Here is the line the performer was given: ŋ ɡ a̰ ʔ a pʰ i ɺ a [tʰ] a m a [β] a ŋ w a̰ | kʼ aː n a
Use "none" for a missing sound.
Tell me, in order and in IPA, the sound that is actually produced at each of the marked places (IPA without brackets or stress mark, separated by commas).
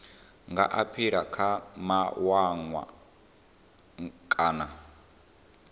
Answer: kʰ, w